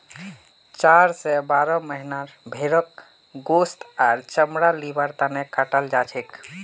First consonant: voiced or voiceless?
voiceless